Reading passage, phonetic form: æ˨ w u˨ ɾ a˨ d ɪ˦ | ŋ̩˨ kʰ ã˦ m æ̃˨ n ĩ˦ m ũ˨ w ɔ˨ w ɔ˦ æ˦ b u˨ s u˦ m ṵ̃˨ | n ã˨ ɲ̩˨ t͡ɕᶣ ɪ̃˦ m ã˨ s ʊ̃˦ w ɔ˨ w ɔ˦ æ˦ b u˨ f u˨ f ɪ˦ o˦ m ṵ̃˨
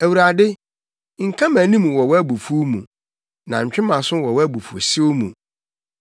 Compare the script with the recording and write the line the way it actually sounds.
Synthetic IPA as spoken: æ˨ w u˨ ɾ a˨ d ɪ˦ | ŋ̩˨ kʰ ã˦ m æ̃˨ n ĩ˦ m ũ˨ w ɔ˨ w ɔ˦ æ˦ b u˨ f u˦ m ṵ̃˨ | n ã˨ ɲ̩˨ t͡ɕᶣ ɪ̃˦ m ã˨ s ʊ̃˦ w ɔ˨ w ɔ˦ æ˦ b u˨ f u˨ s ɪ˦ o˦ m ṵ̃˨